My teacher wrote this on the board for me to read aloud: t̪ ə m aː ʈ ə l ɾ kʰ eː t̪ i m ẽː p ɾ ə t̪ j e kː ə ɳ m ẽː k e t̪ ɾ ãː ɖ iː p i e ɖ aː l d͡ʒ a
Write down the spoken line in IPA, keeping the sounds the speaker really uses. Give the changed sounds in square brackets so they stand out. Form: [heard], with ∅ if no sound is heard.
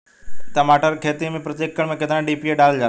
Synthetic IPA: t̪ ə m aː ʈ ə [∅] ɾ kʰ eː t̪ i m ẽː p ɾ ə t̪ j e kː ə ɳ m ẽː k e t̪ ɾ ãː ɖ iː p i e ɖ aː l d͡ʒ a